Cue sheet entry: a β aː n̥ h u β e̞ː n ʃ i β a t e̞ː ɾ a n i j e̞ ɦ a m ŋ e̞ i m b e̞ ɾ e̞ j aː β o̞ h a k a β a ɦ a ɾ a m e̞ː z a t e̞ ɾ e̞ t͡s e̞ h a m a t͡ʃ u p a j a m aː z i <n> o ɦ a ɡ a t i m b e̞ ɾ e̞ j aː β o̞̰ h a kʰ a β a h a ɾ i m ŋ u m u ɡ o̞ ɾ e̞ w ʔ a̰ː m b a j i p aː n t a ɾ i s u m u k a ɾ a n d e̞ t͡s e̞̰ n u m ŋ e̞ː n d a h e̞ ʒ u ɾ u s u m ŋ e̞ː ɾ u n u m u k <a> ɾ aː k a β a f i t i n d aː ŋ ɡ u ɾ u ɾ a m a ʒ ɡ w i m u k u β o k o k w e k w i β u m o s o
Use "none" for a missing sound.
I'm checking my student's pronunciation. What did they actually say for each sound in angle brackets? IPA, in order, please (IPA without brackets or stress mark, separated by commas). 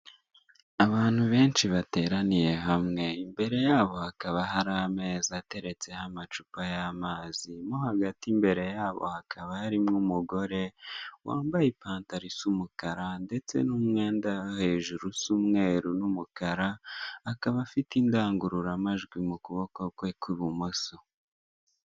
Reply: m, a